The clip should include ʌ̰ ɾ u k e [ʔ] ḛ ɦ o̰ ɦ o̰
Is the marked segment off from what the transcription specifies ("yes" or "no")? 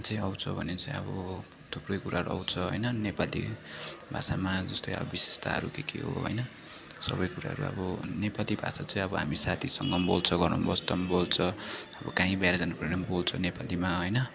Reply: yes